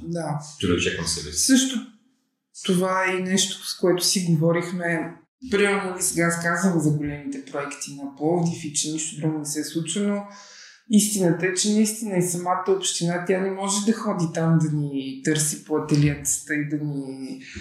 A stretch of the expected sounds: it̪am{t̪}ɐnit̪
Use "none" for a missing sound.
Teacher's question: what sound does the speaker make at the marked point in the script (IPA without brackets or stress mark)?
d̪